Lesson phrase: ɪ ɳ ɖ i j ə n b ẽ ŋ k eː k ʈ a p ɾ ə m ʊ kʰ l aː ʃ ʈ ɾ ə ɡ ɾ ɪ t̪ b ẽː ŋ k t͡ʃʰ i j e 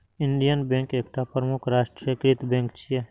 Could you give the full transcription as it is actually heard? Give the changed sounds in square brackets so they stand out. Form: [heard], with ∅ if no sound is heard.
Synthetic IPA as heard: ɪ ɳ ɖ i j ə n b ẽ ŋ k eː k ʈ a p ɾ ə m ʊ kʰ [ɾ] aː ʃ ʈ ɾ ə [k] ɾ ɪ t̪ b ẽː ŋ k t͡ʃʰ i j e